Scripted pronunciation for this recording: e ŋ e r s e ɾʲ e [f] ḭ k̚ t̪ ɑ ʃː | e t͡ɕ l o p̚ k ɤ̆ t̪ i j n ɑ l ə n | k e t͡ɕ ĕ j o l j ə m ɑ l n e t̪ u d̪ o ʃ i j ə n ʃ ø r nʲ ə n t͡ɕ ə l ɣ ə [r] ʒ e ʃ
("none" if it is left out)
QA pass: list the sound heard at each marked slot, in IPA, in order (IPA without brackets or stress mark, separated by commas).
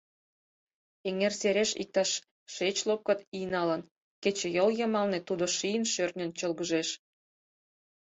ʃ, none